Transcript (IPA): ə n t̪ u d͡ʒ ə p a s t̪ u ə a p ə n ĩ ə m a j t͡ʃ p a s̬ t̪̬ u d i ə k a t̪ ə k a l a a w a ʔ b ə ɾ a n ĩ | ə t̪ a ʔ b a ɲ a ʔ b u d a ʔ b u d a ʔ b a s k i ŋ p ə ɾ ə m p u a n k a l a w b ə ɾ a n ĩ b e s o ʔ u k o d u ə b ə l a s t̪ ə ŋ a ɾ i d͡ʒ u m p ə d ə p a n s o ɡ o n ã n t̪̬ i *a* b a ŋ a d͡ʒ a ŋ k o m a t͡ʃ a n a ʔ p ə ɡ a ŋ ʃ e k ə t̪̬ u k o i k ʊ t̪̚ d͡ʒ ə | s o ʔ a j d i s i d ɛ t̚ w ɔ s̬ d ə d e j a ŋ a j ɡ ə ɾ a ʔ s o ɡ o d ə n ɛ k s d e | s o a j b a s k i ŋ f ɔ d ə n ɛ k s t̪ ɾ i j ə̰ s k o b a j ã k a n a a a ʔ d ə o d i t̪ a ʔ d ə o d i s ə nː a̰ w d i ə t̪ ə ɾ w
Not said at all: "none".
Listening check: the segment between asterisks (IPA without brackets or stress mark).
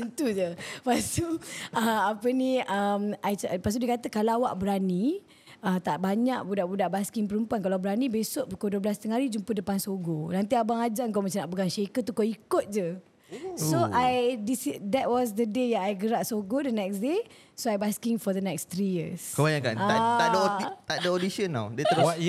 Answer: a